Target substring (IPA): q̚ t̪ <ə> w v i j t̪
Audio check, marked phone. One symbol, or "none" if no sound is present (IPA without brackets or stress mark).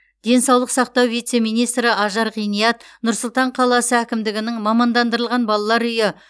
ɑ